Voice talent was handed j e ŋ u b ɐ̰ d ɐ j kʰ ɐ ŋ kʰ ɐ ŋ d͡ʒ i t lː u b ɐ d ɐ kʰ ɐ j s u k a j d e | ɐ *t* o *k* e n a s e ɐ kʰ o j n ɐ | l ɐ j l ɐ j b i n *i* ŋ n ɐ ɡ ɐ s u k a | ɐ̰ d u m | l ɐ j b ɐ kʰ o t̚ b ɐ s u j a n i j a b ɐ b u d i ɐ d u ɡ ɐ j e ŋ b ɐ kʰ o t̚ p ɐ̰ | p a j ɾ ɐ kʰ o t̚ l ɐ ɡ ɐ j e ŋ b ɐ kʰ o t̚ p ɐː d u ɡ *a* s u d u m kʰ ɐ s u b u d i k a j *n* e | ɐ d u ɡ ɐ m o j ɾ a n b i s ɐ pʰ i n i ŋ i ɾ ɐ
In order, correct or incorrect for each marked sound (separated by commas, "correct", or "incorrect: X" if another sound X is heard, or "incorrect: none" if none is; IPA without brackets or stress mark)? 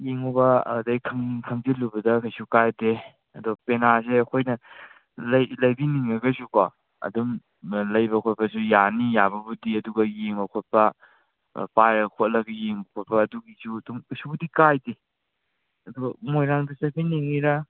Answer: incorrect: d, incorrect: p, correct, incorrect: i, incorrect: d